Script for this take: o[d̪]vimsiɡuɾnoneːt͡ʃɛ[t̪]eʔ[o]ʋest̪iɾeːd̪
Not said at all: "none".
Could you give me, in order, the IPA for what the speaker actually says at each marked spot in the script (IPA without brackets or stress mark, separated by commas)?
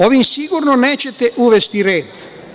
none, t̪, u